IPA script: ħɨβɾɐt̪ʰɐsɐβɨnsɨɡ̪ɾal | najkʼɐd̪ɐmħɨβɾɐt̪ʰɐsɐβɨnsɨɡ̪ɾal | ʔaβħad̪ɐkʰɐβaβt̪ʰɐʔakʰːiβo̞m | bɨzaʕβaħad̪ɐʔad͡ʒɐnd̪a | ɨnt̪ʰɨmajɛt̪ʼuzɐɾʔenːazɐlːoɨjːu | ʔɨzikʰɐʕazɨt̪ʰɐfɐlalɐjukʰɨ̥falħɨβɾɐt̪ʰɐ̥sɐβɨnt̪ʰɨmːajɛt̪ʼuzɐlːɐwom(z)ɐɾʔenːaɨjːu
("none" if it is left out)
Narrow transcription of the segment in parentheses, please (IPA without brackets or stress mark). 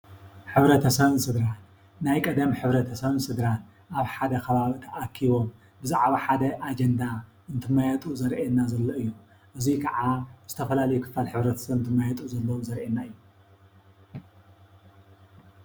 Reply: z